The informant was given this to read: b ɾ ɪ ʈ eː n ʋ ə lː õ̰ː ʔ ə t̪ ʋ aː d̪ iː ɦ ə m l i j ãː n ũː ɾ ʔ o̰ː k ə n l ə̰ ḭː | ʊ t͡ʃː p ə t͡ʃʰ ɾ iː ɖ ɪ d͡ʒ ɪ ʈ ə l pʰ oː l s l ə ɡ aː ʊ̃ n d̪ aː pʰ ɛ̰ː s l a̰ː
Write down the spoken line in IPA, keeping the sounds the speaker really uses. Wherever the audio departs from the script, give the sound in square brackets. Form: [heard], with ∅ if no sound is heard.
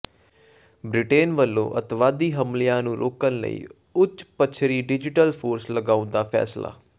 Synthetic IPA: b ɾ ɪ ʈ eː n ʋ ə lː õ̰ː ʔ ə t̪ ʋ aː d̪ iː ɦ ə m l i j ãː n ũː ɾ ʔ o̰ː k ə n l ə̰ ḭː | ʊ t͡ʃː p ə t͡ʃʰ ɾ iː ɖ ɪ d͡ʒ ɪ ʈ ə l pʰ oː [ɾ] s l ə ɡ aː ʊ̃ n d̪ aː pʰ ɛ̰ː s l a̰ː